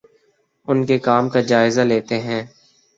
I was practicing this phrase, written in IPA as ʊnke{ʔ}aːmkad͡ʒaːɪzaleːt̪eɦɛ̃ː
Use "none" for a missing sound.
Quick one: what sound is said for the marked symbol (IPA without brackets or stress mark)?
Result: k